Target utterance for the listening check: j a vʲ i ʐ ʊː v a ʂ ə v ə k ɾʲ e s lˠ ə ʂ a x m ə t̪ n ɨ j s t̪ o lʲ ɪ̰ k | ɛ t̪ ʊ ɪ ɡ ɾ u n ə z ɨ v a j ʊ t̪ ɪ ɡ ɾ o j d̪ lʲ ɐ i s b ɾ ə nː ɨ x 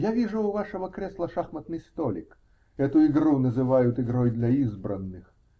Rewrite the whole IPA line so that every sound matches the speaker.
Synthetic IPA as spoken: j a vʲ i ʐ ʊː v a ʂ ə v ə k ɾʲ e s lˠ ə ʂ a x m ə t̪ n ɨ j s t̪ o lʲ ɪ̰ k | ɛ t̪ ʊ ɪ ɡ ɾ u n ə z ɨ v a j ʊ t̪ ɪ ɡ ɾ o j d̪ lʲ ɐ i z b ɾ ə nː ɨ x